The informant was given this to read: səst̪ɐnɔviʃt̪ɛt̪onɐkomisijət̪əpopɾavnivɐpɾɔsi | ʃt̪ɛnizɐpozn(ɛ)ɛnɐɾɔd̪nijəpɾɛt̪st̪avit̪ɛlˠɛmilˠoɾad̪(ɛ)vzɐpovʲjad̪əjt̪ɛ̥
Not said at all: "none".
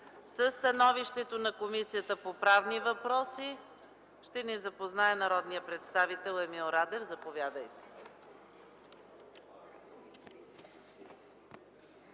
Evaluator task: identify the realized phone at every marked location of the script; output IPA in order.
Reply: a, ɛ

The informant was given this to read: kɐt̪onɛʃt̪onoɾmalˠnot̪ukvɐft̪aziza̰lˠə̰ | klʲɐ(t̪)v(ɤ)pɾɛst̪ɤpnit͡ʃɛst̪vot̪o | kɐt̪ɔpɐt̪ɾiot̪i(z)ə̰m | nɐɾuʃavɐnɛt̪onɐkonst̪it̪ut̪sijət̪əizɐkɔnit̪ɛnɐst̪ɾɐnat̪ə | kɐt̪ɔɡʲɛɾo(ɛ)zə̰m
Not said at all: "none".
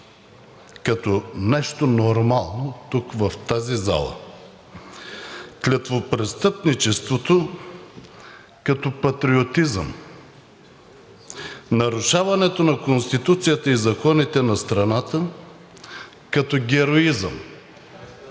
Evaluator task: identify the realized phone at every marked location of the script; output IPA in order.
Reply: t̪, o, z, i

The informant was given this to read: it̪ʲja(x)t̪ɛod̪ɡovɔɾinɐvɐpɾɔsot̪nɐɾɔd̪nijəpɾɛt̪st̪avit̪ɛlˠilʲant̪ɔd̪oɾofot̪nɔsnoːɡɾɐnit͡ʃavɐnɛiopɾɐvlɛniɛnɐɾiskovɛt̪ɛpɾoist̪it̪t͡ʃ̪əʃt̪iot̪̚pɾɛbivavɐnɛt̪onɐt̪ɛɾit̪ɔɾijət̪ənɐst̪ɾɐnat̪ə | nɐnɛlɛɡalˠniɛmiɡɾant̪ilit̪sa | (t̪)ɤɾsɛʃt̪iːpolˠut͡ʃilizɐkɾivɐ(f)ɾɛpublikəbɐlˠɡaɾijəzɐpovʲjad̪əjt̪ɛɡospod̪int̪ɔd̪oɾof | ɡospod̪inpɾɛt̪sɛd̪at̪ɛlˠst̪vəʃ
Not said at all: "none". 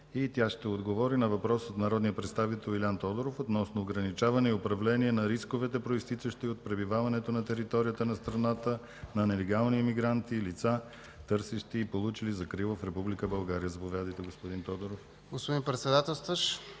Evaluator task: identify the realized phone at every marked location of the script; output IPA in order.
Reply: ʃ, t̪, f

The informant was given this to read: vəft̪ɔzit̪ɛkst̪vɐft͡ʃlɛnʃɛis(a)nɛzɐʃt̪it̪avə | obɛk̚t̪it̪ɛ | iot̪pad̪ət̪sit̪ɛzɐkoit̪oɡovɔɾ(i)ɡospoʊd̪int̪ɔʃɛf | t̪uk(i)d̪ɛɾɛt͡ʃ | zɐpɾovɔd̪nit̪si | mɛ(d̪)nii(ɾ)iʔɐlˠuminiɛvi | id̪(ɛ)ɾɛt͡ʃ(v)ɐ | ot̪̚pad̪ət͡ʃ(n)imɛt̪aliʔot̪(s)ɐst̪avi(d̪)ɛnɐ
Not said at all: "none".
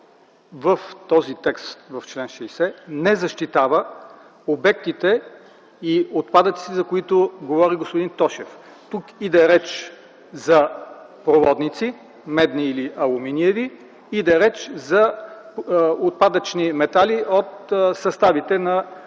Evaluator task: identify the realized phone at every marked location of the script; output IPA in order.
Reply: ɛ, i, i, d̪, l, ɛ, z, n, s, t̪

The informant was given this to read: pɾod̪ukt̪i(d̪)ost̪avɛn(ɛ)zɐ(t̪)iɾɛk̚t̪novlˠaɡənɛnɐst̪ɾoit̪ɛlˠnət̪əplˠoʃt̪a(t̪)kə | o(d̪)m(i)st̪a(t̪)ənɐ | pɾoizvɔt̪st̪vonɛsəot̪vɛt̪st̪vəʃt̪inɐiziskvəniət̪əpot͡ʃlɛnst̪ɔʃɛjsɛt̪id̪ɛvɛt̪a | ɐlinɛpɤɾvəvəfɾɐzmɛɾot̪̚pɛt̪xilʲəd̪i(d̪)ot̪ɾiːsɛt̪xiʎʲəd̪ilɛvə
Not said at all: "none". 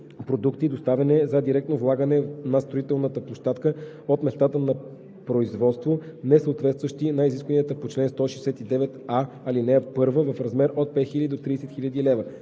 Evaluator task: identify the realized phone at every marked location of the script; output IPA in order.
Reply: d̪, ɛ, d̪, t̪, t̪, ɛ, t̪, d̪

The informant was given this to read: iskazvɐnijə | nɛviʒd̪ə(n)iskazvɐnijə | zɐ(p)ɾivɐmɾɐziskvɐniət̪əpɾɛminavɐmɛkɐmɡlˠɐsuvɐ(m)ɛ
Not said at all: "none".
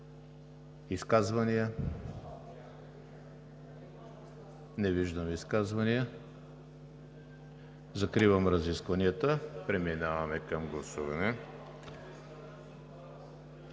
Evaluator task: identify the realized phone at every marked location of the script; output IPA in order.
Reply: m, k, n

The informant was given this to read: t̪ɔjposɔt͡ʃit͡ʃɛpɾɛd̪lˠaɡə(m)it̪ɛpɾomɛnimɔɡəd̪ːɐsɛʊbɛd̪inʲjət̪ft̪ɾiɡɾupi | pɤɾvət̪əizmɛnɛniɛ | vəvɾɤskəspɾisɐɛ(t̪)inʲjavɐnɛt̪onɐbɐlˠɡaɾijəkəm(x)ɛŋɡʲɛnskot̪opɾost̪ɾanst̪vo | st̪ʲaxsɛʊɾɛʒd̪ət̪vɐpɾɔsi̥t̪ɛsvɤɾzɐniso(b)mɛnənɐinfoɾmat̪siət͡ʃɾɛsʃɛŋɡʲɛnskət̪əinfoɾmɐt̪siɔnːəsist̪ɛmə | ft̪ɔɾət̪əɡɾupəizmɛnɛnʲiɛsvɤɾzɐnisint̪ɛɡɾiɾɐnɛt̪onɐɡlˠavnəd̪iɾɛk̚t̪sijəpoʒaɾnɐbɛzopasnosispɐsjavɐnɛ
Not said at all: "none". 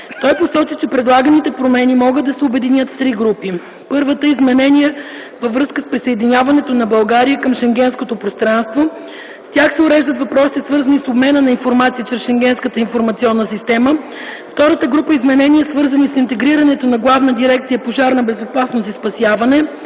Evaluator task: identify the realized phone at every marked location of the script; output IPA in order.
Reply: n, d̪, ʃ, b

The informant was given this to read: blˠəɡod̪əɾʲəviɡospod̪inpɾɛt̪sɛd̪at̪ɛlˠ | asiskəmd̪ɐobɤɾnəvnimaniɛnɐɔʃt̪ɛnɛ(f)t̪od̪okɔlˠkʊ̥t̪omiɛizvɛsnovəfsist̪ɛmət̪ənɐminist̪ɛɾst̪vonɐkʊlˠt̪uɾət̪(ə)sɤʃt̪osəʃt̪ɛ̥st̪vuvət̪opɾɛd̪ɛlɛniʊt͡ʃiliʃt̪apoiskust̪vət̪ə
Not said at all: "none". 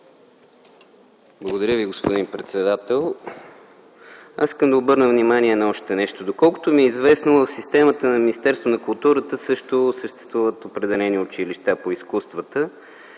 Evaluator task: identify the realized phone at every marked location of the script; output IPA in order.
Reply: ʃ, ə

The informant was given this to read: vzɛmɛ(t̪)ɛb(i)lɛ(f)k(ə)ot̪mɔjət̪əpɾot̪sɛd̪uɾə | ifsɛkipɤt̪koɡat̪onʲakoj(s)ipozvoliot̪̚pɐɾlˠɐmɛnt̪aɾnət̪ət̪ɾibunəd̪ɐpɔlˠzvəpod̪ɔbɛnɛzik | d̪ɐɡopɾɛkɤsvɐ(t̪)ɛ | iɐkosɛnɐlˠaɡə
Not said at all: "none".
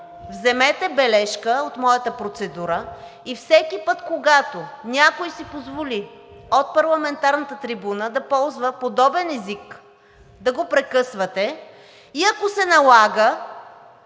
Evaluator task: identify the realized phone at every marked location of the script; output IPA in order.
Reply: t̪, ɛ, ʃ, ə, s, t̪

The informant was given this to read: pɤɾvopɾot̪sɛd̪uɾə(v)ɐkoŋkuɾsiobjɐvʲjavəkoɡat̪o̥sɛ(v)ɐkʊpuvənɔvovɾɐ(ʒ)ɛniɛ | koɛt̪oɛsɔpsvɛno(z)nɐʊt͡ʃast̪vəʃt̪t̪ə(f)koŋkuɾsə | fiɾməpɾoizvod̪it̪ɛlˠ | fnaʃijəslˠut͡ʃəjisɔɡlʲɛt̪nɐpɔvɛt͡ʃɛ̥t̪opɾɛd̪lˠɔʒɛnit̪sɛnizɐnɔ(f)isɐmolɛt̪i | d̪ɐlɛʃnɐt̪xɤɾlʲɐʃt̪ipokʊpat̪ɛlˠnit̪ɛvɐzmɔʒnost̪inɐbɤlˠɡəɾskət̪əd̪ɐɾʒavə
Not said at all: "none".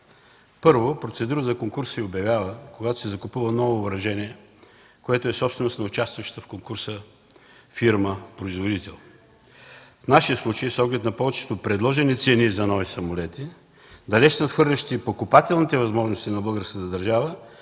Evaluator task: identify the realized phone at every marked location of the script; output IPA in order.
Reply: z, z, ʒ, s, f, v

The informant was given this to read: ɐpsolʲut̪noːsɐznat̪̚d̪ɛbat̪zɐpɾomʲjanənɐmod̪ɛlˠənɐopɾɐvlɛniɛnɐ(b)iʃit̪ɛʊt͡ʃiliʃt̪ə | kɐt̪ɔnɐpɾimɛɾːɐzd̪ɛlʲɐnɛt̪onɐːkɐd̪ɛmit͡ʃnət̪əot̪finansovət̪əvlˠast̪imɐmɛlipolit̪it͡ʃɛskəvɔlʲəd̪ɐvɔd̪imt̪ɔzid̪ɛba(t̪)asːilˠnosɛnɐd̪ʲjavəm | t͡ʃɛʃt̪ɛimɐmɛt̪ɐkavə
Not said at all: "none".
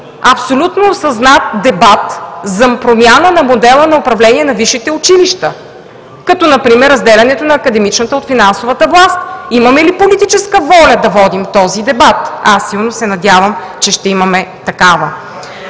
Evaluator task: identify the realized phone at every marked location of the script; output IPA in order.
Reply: v, t̪

